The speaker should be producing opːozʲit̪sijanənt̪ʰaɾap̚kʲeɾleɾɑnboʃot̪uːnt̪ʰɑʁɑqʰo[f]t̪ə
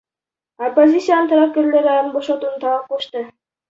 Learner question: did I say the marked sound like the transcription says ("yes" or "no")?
no